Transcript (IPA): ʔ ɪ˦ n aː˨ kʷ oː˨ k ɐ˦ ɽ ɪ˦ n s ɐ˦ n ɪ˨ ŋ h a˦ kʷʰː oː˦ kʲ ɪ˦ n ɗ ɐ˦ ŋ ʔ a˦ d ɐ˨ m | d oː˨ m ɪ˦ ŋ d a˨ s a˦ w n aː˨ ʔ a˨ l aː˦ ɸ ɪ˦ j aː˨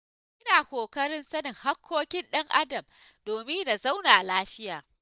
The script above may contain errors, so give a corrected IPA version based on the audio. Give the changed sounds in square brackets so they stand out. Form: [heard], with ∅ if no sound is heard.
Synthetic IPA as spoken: ʔ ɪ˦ n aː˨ kʷ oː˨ k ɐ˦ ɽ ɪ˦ n s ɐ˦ n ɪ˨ ŋ h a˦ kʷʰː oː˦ kʲ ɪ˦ n ɗ ɐ˦ ŋ ʔ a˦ d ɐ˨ m | d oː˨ m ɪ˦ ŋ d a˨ [z] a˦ w n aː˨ ʔ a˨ l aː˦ ɸ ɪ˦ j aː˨